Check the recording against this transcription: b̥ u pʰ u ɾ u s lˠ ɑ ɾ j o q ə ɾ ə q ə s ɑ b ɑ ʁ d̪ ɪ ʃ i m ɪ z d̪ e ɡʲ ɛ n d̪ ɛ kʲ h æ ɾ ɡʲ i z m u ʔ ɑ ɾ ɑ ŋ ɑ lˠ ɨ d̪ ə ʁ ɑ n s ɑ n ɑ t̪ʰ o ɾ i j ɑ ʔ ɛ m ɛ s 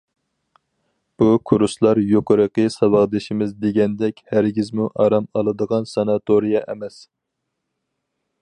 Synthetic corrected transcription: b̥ u kʰ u ɾ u s lˠ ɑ ɾ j o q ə ɾ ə q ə s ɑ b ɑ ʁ d̪ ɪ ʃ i m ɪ z d̪ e ɡʲ ɛ n d̪ ɛ kʲ h æ ɾ ɡʲ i z m u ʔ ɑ ɾ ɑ m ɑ lˠ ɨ d̪ ə ʁ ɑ n s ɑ n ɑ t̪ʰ o ɾ i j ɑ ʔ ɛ m ɛ s

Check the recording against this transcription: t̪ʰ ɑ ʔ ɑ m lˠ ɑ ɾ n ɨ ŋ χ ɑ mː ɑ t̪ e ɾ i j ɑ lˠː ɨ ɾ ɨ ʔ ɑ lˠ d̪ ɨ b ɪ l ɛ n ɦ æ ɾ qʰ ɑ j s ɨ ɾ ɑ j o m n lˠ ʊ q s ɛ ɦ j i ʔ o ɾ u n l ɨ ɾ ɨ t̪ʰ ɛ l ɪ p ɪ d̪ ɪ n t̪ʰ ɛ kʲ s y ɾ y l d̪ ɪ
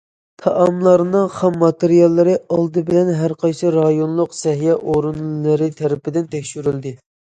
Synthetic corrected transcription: t̪ʰ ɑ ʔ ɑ m lˠ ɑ ɾ n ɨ ŋ χ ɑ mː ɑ t̪ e ɾ i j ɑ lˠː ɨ ɾ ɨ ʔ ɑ lˠ d̪ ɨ b ɪ l ɛ n ɦ æ ɾ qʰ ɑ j s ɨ ɾ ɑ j o n lˠ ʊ q s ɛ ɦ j ɛ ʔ o ɾ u n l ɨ ɾ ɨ t̪ʰ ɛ ɾ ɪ p ɪ d̪ ɪ n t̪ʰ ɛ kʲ ʃ y ɾ y l d̪ ɪ

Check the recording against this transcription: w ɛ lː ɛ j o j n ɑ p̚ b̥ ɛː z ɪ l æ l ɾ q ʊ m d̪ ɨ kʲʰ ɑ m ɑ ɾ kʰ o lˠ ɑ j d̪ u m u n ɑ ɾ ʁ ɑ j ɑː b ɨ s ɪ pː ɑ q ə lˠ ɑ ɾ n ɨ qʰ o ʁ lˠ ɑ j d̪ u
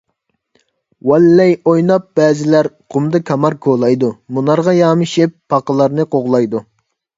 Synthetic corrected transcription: w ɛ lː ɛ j o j n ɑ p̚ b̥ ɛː z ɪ l æ ɾ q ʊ m d̪ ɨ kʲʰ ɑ m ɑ ɾ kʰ o lˠ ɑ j d̪ u m u n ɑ ɾ ʁ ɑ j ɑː m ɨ ʃ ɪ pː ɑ q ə lˠ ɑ ɾ n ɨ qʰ o ʁ lˠ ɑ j d̪ u

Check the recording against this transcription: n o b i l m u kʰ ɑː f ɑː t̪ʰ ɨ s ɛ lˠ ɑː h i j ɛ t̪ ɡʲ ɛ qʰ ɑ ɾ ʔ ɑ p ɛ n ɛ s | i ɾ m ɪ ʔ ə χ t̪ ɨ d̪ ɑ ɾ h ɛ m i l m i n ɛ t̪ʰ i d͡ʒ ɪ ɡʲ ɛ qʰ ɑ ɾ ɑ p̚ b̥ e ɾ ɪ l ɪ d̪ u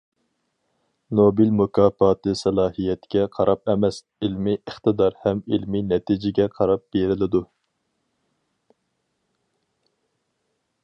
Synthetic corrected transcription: n o b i l m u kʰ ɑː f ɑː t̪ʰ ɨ s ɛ lˠ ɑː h i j ɛ t̪ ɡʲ ɛ qʰ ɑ ɾ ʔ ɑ p ɛ m ɛ s | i l m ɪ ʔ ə χ t̪ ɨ d̪ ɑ ɾ h ɛ m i l m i n ɛ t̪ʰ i d͡ʒ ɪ ɡʲ ɛ qʰ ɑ ɾ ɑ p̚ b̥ e ɾ ɪ l ɪ d̪ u

